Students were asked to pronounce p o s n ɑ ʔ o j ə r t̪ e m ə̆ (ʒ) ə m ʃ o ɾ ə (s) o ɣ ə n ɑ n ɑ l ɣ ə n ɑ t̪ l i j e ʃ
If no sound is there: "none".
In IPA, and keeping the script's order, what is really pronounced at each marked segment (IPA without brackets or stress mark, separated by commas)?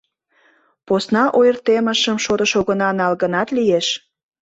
ʃ, ʃ